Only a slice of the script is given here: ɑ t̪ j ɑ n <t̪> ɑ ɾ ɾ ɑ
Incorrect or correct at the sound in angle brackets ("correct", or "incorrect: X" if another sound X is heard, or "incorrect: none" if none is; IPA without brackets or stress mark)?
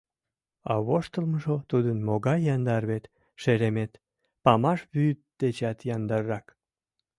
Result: incorrect: d̪